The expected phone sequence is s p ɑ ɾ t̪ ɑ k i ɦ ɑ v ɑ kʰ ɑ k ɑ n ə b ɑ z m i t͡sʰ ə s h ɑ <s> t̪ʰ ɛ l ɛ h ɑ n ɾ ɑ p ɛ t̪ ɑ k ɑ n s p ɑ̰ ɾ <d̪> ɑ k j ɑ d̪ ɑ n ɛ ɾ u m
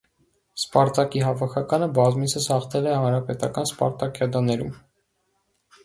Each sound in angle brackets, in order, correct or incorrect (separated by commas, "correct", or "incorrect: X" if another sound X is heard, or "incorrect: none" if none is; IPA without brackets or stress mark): incorrect: χ, incorrect: t̪